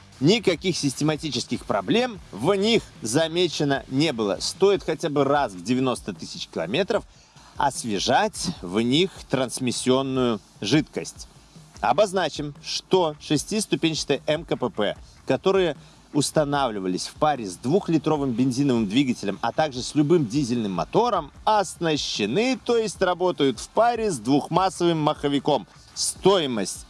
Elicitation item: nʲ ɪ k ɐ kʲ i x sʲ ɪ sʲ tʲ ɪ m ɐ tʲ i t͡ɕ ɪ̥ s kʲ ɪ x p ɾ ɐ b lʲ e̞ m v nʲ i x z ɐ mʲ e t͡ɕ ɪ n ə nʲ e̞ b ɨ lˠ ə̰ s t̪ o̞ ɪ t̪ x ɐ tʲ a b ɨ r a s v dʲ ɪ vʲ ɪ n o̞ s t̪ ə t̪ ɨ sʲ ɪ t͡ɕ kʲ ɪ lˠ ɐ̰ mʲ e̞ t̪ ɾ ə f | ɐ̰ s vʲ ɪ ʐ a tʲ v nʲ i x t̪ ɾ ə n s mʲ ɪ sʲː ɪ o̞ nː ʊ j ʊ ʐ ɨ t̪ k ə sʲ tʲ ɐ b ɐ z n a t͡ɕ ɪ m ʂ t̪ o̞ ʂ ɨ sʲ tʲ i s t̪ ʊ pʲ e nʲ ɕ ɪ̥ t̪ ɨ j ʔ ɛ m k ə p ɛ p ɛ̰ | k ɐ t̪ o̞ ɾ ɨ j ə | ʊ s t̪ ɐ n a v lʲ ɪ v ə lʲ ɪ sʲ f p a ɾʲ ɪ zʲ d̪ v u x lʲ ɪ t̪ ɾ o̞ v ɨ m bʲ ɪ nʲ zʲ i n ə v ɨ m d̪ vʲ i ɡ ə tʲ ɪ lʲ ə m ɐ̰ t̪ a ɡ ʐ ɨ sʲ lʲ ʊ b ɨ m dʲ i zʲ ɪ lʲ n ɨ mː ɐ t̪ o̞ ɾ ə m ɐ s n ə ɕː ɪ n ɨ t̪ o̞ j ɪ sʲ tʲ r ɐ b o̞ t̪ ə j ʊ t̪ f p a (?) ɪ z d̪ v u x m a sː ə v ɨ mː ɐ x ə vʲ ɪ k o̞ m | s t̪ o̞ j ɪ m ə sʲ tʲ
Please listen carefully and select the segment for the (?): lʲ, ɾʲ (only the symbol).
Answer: ɾʲ